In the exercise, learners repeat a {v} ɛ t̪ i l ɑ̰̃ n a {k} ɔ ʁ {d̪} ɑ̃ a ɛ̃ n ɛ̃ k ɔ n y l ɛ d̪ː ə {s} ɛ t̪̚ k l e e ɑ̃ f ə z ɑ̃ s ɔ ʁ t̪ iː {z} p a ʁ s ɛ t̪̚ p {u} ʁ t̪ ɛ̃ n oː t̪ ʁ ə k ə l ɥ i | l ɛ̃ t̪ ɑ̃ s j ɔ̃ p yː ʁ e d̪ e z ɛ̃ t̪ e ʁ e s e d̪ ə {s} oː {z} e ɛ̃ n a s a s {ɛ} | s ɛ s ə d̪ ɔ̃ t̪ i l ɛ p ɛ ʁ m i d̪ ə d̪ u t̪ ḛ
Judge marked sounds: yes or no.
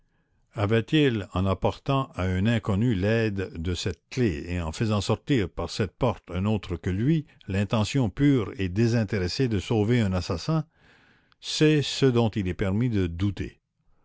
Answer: yes, no, no, yes, no, no, yes, no, no

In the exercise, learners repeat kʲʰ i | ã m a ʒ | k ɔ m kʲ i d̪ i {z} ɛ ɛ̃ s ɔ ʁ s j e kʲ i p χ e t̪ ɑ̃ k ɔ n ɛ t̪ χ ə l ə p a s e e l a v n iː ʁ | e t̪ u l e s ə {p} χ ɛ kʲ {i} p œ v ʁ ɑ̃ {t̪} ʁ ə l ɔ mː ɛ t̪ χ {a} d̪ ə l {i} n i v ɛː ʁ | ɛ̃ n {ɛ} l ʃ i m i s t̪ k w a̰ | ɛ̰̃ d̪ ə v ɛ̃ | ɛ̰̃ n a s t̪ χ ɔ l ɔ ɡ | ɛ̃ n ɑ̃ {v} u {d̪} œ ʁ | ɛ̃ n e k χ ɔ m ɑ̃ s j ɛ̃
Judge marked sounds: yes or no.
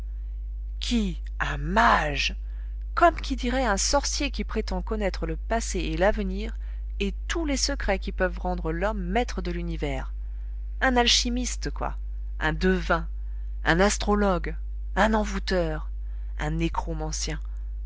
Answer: no, no, yes, no, no, no, no, yes, no

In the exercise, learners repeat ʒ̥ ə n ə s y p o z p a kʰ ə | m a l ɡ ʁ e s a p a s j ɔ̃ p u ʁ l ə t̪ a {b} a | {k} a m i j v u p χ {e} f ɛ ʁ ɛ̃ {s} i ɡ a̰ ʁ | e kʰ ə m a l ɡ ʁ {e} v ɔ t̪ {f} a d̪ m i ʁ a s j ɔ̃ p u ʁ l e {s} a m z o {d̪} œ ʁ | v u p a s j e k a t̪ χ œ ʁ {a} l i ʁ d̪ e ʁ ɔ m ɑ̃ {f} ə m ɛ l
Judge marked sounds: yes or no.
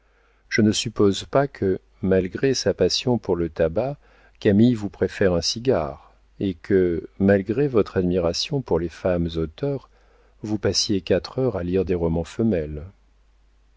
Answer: yes, yes, yes, yes, yes, no, no, no, yes, yes

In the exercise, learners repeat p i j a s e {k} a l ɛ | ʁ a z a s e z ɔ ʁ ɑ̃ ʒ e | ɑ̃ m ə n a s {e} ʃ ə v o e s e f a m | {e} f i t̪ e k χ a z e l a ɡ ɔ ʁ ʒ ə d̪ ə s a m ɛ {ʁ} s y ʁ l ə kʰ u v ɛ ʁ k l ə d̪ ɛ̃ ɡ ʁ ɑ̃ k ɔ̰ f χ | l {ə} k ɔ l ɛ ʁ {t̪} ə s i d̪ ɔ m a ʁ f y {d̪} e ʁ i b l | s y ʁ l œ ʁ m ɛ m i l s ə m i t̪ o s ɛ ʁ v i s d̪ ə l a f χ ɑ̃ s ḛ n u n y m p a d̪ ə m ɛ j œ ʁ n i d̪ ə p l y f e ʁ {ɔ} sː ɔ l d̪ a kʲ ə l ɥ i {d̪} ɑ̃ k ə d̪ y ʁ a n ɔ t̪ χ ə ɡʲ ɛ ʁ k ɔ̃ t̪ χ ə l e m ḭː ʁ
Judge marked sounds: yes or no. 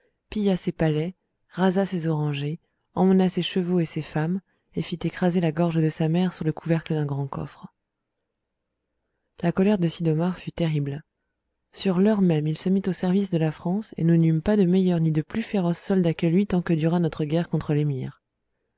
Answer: no, yes, yes, yes, no, no, no, yes, no

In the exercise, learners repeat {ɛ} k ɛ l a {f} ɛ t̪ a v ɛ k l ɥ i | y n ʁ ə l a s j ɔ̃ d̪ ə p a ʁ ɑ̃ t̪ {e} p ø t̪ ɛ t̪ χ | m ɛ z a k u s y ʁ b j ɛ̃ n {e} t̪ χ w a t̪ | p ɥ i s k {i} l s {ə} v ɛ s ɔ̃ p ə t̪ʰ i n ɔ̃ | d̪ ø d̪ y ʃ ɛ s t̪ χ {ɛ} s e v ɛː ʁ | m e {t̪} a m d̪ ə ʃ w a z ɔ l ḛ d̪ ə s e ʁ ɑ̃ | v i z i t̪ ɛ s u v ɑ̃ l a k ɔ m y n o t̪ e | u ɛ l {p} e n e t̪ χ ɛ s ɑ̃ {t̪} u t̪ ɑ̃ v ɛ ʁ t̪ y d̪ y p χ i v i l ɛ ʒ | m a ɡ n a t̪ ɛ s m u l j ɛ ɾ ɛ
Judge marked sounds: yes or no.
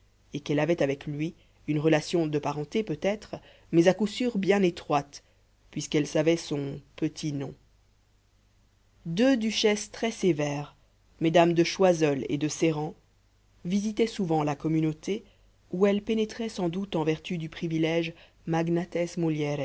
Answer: no, no, yes, yes, no, no, yes, no, yes, no

